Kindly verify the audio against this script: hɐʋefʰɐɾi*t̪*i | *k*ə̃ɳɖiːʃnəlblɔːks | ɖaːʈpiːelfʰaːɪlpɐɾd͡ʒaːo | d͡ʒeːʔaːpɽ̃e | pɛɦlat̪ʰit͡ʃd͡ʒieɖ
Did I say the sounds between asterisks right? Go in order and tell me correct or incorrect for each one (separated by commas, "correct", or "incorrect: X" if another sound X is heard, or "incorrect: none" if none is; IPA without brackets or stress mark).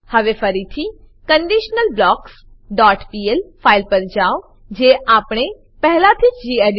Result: incorrect: t̪ʰ, correct